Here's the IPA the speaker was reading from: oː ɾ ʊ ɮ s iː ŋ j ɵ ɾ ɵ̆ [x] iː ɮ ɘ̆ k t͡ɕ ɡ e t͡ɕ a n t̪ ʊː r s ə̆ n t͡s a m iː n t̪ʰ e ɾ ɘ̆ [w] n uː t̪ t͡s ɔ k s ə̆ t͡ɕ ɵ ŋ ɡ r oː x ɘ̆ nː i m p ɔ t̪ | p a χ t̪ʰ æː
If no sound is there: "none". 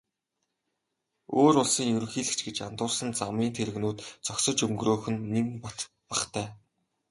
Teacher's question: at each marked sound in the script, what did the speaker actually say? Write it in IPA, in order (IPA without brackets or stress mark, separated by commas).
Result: x, ɣ